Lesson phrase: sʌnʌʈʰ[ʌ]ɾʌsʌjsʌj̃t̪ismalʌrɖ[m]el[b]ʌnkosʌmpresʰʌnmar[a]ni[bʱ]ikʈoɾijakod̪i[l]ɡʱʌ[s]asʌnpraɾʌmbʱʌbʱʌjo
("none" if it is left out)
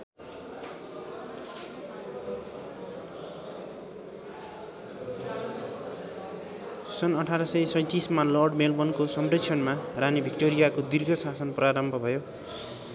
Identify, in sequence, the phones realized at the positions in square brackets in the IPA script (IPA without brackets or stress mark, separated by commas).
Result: a, m, b, a, bʱ, r, s